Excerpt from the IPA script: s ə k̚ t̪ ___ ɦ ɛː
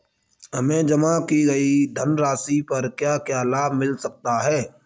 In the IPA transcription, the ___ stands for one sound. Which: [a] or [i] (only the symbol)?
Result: a